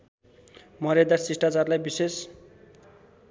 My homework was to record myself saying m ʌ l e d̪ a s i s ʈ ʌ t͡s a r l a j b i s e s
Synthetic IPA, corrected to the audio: m ʌ ɾ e d̪ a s i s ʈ a t͡s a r l a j b i s e s